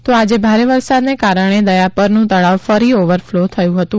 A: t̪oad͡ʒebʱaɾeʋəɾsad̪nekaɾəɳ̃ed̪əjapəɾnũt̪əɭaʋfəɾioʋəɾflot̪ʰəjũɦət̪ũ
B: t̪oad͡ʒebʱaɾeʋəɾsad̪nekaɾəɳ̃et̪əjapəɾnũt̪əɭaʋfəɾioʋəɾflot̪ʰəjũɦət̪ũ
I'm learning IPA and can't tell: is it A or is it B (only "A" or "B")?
A